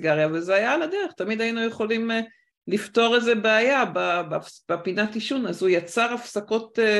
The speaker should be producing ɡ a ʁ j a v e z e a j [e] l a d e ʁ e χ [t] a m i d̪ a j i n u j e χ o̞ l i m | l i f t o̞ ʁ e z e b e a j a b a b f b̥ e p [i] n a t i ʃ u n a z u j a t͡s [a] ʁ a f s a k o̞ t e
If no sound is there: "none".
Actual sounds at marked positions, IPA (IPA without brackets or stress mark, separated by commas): a, t, i, a